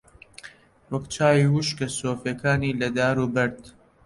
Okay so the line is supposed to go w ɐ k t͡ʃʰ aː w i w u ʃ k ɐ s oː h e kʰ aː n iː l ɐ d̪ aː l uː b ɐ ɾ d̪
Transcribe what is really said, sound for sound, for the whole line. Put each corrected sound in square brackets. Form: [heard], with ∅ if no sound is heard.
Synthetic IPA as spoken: w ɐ k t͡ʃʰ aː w i w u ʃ k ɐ s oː [f] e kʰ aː n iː l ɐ d̪ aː [ɾ] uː b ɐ ɾ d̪

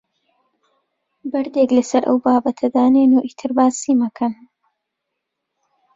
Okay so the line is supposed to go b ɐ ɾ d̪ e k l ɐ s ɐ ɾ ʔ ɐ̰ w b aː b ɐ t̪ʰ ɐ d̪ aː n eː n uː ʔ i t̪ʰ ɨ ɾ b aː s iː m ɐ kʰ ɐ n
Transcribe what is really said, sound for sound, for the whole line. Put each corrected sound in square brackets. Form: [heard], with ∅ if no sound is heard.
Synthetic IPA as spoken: b ɐ ɾ d̪ e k l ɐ s ɐ ɾ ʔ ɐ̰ w b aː b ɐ t̪ʰ ɐ d̪ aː n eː n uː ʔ i t̪ʰ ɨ ɾ b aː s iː m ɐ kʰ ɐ n

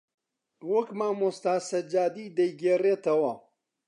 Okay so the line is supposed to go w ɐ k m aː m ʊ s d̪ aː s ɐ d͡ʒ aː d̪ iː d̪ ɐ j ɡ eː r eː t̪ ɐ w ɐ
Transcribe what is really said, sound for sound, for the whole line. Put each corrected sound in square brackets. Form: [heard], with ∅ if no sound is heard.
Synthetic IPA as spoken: w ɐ k m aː m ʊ s [t̪] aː s ɐ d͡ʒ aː d̪ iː d̪ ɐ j ɡ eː r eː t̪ ɐ w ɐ

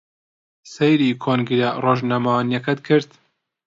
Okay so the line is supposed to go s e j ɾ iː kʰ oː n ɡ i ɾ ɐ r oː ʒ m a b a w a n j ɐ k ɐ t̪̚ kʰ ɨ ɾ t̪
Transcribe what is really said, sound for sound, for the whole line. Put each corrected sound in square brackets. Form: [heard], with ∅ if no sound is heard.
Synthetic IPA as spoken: s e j ɾ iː kʰ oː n ɡ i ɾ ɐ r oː ʒ [n] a [m] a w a n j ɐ k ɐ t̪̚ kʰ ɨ ɾ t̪

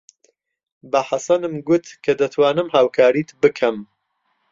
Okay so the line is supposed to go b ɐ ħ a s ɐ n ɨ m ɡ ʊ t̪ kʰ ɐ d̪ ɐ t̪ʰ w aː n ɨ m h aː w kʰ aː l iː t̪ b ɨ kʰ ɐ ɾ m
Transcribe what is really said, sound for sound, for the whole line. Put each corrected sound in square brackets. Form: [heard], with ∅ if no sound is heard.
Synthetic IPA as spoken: b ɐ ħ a s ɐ n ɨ m ɡ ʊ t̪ kʰ ɐ d̪ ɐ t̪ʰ w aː n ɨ m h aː w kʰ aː [ɾ] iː t̪ b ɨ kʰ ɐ [∅] m

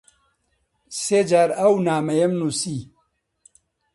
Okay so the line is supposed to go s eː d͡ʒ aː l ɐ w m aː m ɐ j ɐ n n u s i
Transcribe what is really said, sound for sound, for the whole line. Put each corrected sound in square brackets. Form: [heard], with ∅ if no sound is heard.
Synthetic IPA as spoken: s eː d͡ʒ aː [ɾ] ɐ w [n] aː m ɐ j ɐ [m] n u s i

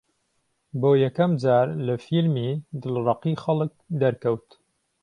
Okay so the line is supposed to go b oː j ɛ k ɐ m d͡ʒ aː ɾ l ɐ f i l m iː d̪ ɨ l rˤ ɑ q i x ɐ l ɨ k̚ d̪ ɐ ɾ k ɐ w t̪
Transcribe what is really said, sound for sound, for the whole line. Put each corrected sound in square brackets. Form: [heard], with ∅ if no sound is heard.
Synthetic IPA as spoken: b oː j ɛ k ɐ m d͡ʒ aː ɾ l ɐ f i l m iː d̪ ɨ l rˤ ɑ q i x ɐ l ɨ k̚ d̪ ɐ ɾ k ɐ w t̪

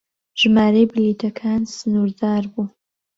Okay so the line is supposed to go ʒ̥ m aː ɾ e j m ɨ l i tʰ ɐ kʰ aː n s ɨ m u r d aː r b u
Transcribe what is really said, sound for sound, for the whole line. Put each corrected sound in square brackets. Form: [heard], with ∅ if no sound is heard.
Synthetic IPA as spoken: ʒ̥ m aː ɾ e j [b] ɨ l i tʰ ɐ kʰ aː n s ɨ [n] u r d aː r b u

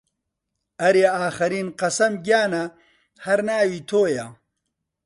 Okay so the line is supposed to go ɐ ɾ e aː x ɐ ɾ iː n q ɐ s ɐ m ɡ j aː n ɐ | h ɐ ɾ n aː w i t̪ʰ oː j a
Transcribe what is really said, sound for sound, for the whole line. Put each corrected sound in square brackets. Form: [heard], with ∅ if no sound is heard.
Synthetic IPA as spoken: ɐ ɾ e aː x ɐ ɾ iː n q ɐ s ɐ m ɡ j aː n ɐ | h ɐ ɾ n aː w i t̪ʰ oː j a

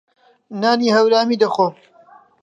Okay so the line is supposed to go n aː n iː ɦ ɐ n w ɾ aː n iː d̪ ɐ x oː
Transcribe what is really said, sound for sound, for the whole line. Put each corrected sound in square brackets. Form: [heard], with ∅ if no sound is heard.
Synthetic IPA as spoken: n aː n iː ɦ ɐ [∅] w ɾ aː [m] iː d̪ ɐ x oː

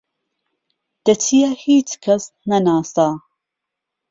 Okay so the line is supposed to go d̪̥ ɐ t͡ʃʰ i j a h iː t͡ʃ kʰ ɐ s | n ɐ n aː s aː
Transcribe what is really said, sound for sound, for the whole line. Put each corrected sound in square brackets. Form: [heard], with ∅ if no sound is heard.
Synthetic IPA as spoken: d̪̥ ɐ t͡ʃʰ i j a h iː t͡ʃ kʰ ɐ s | n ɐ n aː s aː

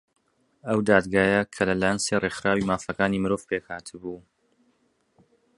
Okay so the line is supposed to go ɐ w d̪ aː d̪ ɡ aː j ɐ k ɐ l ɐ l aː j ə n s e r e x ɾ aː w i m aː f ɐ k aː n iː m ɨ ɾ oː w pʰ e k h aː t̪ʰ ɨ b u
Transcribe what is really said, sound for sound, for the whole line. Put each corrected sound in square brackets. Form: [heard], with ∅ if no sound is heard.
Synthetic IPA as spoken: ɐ w d̪ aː d̪ ɡ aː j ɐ [kʰ] ɐ l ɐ l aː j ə n s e r e x ɾ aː w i m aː f ɐ k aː n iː m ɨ ɾ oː [v] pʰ e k h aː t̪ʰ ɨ b u

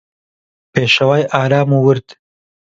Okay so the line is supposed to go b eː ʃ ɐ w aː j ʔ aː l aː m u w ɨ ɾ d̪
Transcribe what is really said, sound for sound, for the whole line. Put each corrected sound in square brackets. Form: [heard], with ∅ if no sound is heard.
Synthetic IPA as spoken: [p] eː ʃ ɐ w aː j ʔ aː [ɾ] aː m u w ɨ ɾ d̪

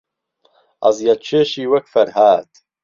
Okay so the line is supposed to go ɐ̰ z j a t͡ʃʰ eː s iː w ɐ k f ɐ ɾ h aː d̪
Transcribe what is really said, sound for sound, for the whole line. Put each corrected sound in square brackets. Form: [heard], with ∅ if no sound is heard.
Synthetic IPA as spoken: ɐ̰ z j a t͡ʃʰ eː [ʃ] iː w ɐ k f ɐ ɾ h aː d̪

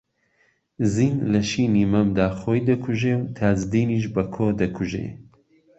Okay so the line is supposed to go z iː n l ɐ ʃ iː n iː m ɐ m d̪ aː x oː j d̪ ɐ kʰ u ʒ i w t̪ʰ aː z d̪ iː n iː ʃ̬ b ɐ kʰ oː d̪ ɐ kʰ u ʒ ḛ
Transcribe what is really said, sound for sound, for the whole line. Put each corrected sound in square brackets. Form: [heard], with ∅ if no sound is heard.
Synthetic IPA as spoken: z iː n l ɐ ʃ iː n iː m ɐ m d̪ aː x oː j d̪ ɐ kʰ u ʒ [e] w t̪ʰ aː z d̪ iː n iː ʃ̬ b ɐ kʰ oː d̪ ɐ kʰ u ʒ ḛ

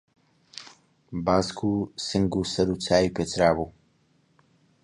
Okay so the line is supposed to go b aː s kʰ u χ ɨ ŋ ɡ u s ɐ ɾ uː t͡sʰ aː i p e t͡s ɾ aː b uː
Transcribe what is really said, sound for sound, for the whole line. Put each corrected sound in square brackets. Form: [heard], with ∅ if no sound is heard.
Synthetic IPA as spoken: b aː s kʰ u [s] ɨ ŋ ɡ u s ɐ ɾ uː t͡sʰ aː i p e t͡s ɾ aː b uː

